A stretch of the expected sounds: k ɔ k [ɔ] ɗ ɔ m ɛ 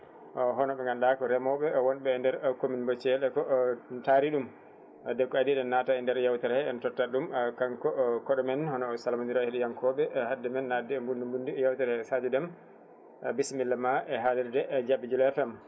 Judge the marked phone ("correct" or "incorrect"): correct